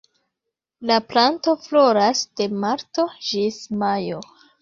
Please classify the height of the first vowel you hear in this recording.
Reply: low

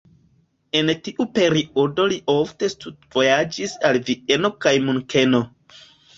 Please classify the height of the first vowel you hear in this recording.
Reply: mid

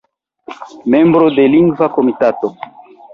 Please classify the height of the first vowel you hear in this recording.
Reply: mid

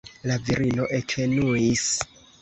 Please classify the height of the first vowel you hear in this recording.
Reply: low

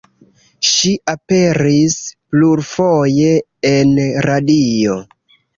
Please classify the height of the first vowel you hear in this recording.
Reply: high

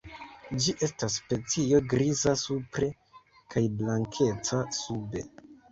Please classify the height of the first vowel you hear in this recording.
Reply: high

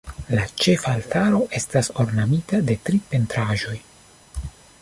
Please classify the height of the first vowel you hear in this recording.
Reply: low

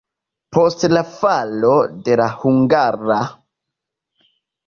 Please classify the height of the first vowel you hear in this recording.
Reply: mid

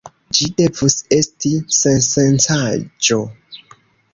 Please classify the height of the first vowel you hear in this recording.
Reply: high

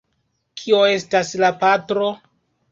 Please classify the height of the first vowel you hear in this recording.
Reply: high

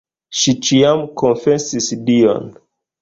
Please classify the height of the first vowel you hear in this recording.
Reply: high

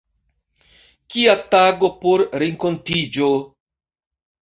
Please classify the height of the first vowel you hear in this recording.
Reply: high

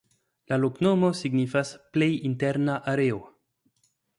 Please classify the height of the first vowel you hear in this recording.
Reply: low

